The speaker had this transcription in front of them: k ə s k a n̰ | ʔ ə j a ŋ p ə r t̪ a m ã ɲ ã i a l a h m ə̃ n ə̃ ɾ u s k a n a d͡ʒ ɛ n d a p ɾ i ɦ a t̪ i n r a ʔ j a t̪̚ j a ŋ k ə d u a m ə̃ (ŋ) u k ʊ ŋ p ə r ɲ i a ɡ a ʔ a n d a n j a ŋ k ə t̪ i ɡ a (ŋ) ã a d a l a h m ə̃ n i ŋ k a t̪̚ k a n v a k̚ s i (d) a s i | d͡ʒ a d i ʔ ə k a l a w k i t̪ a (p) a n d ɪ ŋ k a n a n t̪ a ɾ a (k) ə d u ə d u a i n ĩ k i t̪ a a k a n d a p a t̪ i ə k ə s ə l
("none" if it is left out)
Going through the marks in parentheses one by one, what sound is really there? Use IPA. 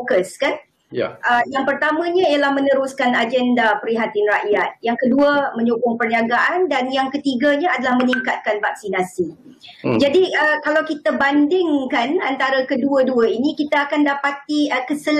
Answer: ɲ, ɲ, n, b, k

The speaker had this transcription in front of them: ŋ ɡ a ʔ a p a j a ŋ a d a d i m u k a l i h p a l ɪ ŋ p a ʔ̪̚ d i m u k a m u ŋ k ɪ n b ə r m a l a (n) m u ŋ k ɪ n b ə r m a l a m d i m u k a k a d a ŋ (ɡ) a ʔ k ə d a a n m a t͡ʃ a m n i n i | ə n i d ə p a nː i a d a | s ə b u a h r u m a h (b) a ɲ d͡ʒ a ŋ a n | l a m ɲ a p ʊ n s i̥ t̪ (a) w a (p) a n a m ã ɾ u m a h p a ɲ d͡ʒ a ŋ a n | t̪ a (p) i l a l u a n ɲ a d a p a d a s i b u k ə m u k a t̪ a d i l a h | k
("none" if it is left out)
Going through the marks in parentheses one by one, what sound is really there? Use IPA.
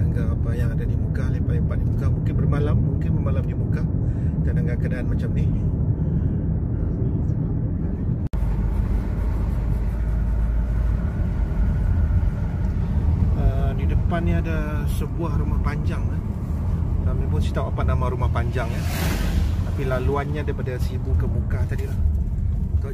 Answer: m, ɡ, p, a, p, p

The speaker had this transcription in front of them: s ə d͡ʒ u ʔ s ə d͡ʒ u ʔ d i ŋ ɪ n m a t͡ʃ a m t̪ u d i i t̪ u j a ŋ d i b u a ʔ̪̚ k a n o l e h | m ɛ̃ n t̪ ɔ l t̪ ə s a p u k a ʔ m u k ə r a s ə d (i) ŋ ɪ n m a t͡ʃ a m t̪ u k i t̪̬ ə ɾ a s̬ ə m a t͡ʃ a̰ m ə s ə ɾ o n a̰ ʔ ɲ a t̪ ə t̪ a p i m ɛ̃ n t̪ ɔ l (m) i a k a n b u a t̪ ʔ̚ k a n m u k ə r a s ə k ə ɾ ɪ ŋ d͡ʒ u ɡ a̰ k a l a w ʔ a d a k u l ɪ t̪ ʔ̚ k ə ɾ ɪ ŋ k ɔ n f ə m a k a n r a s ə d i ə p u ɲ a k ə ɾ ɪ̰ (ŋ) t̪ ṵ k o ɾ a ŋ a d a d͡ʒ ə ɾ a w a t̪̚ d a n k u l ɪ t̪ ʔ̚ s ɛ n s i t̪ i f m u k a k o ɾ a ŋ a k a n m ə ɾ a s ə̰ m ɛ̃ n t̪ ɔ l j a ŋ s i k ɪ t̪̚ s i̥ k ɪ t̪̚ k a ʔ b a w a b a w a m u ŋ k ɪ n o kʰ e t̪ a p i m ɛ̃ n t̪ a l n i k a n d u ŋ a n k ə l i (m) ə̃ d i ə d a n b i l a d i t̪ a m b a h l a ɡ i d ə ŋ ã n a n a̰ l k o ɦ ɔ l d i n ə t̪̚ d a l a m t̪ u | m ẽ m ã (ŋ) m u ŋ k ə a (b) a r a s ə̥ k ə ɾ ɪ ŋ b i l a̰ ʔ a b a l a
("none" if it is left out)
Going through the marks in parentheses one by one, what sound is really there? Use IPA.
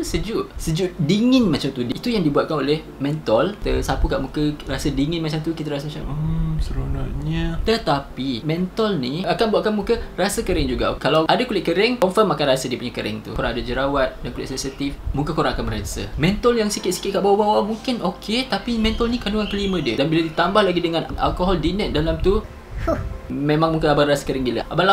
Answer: i, n, ŋ, m, ŋ, b

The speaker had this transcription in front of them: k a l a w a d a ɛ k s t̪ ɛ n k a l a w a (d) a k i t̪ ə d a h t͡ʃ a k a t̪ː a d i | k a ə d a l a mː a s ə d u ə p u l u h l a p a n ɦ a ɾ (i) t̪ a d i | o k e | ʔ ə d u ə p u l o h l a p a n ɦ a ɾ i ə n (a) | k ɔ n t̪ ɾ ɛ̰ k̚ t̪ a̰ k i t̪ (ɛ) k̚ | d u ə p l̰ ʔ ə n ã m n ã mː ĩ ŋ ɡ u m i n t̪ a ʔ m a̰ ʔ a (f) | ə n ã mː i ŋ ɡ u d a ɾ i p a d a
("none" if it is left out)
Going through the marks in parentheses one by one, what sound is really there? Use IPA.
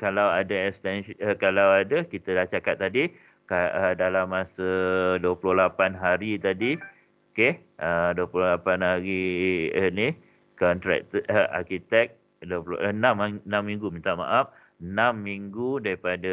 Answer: d, i, i, ɛ, f

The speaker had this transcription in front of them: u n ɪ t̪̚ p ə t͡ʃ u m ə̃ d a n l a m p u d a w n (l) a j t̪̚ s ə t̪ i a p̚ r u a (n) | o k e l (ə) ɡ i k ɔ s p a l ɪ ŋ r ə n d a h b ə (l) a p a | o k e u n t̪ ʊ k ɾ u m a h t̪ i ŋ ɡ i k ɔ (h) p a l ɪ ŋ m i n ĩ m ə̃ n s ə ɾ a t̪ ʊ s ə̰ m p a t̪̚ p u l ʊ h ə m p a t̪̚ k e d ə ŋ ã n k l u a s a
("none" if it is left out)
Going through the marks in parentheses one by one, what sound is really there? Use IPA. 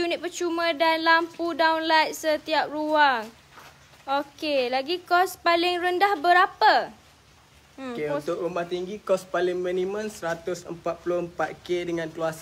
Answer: l, ŋ, a, ɾ, s

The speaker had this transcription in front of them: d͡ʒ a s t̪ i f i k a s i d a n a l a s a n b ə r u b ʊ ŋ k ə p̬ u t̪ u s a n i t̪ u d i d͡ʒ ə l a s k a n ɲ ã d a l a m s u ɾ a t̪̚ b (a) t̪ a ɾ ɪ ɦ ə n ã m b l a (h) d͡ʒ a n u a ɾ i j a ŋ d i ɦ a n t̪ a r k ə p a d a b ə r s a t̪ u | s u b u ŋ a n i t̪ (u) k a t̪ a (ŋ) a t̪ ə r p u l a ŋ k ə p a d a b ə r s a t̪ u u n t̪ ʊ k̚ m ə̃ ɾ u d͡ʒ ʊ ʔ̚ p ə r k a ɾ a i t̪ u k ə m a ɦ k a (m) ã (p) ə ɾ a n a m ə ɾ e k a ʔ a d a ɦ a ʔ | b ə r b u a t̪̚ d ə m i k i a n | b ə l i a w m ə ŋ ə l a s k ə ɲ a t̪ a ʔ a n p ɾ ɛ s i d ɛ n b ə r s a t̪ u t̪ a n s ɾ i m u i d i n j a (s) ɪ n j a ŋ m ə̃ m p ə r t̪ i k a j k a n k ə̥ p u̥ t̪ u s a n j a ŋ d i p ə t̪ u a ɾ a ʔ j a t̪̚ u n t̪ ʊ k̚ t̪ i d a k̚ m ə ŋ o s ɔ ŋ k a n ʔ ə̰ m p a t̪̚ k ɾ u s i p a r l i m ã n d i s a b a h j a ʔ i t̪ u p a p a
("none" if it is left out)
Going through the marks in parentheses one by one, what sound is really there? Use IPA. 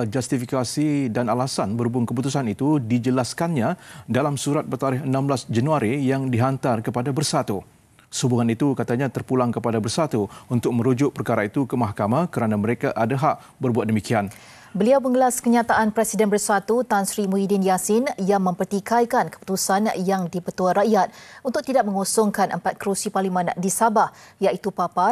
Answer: ə, s, u, ɲ, m, k, s

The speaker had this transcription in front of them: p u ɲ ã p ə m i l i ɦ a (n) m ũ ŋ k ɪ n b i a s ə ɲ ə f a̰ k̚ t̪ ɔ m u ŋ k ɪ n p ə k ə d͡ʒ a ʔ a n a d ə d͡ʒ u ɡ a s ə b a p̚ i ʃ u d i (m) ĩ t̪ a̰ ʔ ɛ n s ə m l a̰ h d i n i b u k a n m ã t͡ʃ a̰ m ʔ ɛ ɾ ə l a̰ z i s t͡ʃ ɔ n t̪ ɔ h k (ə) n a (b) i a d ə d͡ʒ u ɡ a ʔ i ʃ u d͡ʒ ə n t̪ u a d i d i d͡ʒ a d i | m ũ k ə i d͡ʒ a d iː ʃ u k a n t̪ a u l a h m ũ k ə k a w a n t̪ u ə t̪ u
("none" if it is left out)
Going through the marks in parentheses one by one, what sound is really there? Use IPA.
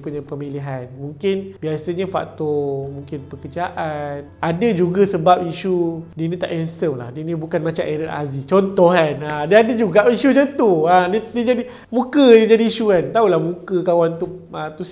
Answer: n, n, a, d

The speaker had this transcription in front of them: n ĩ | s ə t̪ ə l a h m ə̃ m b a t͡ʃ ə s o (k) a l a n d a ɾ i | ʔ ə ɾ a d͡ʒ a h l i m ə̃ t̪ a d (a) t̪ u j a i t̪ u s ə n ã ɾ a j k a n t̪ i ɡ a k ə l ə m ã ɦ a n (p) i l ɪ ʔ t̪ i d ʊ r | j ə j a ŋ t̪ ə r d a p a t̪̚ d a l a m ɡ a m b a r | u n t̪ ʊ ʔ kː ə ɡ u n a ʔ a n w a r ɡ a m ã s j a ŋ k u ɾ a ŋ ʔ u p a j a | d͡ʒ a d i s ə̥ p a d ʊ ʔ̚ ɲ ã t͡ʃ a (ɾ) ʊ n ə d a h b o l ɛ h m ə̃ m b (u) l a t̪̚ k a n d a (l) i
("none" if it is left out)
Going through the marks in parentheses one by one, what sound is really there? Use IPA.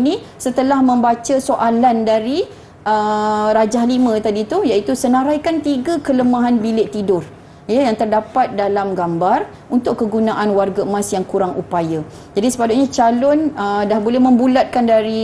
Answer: ʔ, i, b, l, u, ɾ

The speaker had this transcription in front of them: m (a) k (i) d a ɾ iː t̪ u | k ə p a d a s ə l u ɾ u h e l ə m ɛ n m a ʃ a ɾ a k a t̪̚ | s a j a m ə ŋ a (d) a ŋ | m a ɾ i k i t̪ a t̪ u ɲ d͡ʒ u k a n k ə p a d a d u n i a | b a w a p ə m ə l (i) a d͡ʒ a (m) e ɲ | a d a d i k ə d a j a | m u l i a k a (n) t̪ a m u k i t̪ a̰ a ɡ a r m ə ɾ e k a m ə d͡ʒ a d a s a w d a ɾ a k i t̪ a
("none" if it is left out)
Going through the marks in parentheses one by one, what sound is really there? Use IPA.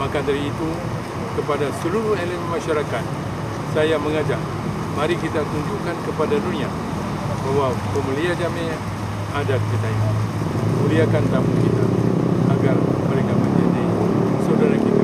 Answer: a, a, d͡ʒ, i, m, n

